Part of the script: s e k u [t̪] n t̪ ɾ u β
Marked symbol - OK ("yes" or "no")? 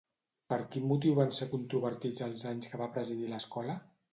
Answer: no